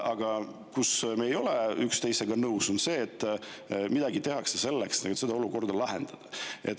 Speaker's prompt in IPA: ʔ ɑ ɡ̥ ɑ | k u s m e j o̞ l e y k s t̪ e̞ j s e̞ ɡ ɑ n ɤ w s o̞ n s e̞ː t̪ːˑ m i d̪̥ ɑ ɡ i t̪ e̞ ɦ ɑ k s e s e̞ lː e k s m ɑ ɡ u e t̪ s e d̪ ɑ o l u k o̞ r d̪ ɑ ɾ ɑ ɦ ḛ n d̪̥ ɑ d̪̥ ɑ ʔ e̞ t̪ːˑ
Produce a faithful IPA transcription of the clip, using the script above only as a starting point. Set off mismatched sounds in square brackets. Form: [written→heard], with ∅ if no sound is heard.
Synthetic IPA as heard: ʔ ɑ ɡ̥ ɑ | k u s m e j o̞ l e y k s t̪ e̞ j s e̞ ɡ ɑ n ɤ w s o̞ n s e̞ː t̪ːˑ m i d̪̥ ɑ ɡ i t̪ e̞ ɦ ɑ k s e s e̞ lː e k s [m→n] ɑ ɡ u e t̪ s e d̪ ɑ o l u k o̞ r d̪ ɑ [ɾ→l] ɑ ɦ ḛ n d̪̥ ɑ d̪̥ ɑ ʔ e̞ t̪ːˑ